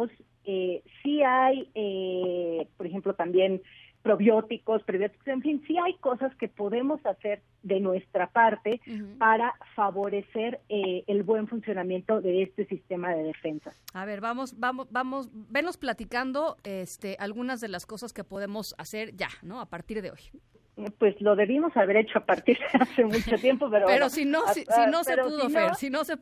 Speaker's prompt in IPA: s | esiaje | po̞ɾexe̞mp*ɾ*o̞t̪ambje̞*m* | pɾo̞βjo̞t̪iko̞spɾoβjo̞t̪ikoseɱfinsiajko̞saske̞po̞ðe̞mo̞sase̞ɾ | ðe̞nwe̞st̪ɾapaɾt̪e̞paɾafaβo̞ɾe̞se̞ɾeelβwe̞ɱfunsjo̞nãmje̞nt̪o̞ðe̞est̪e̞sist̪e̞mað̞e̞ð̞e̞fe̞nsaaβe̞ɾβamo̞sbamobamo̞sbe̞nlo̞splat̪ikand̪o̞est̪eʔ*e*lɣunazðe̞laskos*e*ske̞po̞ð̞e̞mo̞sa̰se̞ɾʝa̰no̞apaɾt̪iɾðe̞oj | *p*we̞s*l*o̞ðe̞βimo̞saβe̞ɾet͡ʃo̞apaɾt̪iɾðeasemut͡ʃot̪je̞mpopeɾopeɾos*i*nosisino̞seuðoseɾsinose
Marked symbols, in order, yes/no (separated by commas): no, no, no, no, yes, yes, yes